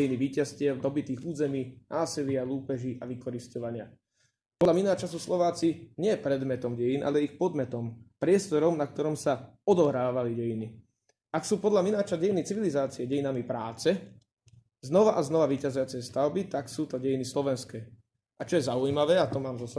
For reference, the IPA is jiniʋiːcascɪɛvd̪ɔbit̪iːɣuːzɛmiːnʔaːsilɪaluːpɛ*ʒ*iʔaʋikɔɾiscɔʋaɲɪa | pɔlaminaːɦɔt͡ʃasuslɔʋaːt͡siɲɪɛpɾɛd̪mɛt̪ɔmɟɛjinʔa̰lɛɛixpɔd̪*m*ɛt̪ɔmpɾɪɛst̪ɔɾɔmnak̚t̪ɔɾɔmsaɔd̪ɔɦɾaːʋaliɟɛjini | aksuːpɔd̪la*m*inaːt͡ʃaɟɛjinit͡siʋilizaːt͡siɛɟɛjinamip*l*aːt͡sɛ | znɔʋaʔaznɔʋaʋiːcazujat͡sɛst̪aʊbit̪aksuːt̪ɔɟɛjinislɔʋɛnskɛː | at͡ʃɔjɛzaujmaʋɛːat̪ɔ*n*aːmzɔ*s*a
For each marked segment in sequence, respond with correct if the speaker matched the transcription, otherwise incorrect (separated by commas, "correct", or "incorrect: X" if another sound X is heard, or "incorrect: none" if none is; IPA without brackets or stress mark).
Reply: correct, correct, correct, incorrect: ɾ, incorrect: m, correct